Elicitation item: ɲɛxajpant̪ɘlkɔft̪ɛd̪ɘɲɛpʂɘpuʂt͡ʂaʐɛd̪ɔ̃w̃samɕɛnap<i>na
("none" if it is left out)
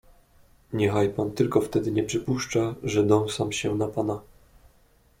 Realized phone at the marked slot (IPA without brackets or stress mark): a